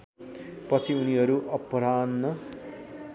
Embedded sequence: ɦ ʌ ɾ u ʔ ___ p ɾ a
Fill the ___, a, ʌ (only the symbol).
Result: ʌ